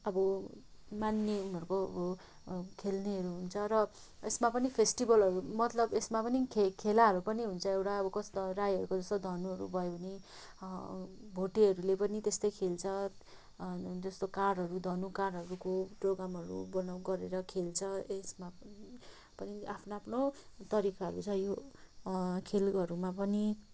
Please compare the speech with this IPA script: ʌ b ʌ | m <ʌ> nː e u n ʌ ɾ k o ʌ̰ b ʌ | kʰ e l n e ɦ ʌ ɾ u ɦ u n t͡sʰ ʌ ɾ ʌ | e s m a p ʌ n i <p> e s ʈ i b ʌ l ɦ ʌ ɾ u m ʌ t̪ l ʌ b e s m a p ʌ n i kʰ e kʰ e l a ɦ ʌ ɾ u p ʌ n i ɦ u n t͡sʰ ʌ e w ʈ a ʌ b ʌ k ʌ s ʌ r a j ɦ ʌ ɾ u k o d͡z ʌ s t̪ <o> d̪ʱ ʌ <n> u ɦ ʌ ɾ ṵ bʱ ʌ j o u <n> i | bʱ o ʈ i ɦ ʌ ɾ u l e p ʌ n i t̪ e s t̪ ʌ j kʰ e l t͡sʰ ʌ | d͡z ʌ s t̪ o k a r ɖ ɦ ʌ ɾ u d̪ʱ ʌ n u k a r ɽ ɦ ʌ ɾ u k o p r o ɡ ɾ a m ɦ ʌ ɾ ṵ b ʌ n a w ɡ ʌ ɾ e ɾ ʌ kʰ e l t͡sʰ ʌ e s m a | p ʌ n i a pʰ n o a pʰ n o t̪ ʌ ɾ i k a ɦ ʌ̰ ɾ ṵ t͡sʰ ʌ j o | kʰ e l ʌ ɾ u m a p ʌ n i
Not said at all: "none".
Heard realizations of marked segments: a, pʰ, o, n, n

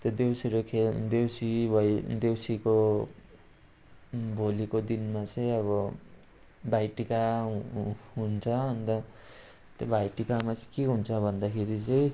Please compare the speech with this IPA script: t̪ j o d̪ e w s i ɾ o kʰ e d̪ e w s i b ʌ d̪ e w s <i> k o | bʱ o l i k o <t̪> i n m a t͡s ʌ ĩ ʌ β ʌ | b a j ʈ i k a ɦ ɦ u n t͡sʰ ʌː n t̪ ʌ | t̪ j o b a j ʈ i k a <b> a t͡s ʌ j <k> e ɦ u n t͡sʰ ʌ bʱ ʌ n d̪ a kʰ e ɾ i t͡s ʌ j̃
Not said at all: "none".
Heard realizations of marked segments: i, d̪, m, k

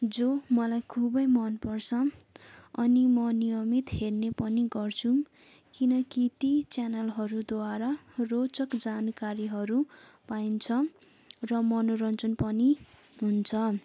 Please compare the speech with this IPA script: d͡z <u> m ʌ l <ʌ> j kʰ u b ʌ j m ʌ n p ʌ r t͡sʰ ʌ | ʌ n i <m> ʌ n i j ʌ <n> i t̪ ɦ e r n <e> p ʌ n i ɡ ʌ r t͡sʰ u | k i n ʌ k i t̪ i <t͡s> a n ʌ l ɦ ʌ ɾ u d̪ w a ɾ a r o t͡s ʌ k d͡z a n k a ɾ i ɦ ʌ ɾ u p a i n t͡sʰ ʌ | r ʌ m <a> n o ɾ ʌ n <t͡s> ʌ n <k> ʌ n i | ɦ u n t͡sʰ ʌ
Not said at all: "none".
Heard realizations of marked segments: o, a, m, m, e, t͡s, ʌ, t͡s, p

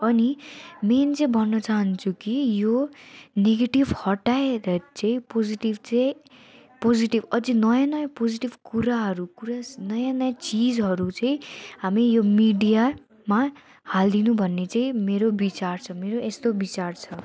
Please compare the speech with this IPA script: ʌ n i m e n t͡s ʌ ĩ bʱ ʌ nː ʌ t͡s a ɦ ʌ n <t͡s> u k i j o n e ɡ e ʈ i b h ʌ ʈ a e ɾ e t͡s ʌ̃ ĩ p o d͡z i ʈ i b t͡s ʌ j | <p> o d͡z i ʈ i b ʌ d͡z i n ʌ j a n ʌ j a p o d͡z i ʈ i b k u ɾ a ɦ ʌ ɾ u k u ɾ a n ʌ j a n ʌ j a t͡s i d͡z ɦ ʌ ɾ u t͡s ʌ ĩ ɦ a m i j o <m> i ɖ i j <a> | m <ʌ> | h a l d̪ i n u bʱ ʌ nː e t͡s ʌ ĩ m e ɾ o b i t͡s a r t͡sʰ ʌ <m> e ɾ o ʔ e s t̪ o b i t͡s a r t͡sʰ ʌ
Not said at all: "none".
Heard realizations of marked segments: t͡sʰ, p, m, a, a, m

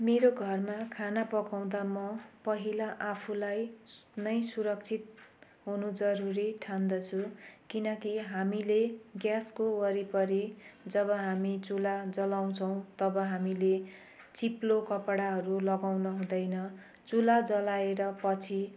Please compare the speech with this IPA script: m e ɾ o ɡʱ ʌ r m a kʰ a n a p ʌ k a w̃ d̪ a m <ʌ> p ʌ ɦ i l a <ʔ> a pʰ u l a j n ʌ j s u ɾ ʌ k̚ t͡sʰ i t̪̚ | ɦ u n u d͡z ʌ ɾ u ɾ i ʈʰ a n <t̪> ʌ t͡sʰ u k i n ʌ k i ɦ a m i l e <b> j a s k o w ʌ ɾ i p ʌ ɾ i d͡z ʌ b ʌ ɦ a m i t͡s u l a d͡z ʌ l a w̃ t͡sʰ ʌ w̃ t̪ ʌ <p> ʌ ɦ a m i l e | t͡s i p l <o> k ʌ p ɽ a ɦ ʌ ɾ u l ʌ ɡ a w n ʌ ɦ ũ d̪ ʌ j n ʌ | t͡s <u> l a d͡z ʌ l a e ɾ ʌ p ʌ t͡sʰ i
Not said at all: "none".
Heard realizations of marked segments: ʌ, ʔ, d̪, ɡ, b, o, u

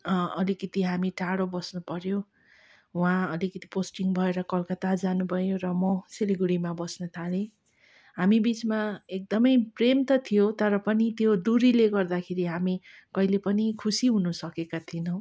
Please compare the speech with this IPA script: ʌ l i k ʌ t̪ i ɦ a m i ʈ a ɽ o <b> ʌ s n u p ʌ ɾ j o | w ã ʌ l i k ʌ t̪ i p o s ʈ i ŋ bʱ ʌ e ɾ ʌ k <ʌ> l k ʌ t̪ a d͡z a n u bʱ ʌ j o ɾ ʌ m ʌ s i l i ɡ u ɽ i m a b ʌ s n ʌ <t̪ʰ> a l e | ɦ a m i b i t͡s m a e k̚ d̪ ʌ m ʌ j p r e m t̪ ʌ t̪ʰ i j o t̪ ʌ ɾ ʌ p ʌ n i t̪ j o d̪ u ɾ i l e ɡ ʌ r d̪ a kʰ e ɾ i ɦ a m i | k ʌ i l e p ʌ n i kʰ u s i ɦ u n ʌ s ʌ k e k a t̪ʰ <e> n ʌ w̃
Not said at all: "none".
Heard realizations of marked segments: b, ʌ, t̪ʰ, i

